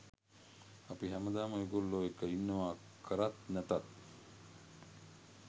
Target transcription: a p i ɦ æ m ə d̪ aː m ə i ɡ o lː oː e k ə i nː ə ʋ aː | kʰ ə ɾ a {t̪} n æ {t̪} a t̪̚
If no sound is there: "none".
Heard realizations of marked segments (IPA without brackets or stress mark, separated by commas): t̪, t̪